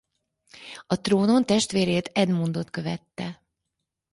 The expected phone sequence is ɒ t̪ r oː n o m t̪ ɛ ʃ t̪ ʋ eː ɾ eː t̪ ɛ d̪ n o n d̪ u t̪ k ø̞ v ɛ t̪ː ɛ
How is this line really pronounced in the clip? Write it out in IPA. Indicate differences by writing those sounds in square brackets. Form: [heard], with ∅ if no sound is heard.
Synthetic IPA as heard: ɒ t̪ r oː n o [n] t̪ ɛ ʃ t̪ ʋ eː ɾ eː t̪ ɛ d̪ [m] o n d̪ [o] t̪ k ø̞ v ɛ t̪ː ɛ